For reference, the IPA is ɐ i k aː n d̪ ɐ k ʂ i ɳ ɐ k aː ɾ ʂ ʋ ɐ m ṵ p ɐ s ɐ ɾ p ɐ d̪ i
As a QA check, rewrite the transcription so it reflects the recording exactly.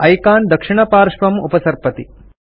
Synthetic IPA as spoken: ɐ j k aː n d̪ ɐ k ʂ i ɳ ɐ p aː ɾ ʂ ʋ ɐ m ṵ p ɐ s ɐ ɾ p ɐ t̪ i